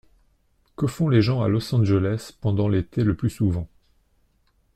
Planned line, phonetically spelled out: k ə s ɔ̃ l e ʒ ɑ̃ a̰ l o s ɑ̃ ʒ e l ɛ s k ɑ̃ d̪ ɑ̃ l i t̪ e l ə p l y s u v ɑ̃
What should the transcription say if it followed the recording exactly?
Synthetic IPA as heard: k ə f ɔ̃ l e ʒ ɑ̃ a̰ l ɔ s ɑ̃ ʒ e l ɛ s p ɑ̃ d̪ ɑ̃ l e t̪ e l ə p l y s u v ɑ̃